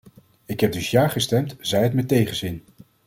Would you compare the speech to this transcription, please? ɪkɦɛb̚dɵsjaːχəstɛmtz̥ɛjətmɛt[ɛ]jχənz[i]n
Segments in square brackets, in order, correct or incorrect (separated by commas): incorrect, incorrect